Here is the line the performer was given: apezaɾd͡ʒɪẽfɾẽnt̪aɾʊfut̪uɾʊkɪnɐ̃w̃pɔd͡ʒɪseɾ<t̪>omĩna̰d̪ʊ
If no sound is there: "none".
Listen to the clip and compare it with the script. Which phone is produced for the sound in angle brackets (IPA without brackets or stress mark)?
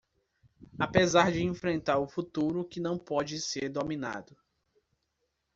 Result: d̪